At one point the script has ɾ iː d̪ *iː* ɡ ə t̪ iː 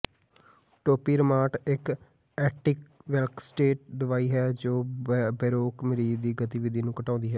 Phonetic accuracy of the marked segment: correct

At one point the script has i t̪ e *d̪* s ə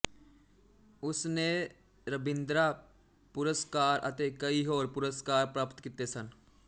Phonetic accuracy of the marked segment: incorrect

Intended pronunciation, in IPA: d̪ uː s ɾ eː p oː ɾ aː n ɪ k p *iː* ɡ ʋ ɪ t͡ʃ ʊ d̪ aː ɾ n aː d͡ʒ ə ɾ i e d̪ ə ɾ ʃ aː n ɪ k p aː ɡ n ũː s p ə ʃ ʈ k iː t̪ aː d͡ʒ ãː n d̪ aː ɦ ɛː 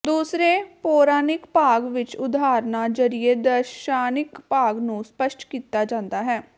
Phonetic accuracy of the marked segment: incorrect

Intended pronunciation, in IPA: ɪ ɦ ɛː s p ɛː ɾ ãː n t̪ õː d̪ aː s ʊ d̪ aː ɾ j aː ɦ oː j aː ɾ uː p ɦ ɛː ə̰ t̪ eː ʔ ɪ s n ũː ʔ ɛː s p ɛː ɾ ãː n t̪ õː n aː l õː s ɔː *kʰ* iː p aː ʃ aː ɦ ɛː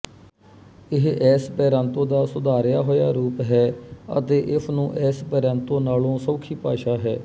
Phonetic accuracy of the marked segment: correct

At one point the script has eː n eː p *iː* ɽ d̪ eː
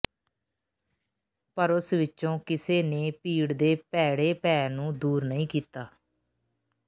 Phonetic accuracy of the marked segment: correct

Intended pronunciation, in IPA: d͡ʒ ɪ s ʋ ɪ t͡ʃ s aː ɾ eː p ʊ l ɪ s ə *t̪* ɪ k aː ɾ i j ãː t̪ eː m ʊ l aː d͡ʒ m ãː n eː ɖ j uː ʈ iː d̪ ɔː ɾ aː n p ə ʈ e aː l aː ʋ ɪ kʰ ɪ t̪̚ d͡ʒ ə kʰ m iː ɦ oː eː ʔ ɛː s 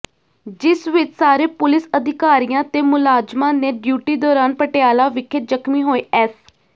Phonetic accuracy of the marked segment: incorrect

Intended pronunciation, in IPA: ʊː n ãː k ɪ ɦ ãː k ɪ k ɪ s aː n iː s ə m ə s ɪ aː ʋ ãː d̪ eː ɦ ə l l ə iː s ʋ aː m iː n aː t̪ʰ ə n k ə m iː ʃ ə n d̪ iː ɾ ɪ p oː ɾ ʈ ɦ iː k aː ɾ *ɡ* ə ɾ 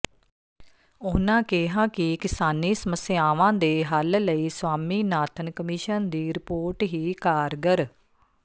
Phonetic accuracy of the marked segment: correct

